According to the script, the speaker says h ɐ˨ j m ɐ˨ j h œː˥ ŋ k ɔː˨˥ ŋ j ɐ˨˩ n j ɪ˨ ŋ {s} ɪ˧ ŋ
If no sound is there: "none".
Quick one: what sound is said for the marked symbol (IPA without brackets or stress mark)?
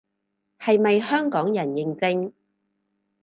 t͡s